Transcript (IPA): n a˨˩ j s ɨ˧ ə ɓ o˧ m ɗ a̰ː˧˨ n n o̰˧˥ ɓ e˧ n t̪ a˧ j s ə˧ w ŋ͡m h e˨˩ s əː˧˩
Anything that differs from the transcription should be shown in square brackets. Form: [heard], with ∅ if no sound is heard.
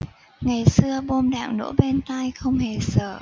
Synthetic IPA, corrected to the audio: [ŋ] a˨˩ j s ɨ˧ ə ɓ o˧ m ɗ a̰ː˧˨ [ŋ] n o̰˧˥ ɓ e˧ n t̪ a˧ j [x] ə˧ w ŋ͡m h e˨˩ s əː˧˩